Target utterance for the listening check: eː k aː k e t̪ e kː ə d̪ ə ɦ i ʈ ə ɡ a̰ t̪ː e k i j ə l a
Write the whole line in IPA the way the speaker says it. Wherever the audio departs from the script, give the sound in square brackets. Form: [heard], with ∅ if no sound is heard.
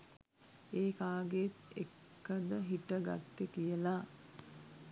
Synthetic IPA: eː k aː [ɡ] e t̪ e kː ə d̪ ə ɦ i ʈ ə ɡ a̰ t̪ː e k i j ə l a